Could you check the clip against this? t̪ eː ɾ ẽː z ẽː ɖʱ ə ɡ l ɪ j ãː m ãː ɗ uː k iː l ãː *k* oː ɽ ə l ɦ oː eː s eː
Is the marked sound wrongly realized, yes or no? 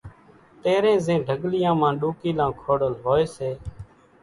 yes